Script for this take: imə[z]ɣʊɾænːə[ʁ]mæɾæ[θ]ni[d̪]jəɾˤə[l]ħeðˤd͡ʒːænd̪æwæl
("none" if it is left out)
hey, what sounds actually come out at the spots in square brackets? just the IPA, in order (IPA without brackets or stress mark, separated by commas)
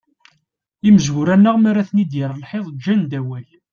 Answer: z, ʁ, θ, d̪, l